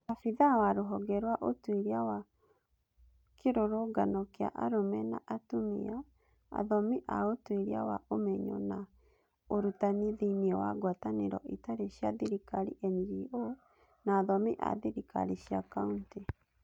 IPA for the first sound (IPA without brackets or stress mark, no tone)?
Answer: a